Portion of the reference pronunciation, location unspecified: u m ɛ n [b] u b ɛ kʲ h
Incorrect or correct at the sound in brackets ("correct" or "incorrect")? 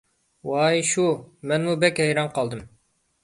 incorrect